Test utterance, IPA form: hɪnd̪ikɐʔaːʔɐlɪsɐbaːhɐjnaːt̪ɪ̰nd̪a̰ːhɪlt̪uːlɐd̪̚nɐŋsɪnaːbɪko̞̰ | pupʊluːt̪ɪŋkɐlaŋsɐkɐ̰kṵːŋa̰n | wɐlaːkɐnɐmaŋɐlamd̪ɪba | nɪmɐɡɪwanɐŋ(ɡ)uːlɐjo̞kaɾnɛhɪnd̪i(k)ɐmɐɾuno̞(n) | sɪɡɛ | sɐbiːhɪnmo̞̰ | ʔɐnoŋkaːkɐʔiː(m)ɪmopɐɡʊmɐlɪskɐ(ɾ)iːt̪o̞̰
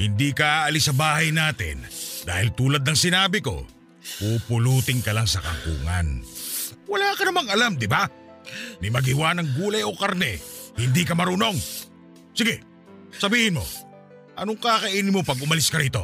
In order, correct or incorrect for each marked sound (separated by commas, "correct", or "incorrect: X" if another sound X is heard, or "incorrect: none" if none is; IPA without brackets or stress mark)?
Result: correct, correct, incorrect: ŋ, incorrect: n, correct